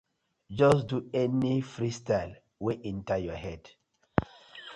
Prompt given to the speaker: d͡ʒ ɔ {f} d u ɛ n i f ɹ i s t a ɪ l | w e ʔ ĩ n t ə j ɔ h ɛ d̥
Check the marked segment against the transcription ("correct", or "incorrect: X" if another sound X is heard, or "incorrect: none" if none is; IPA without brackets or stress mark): incorrect: s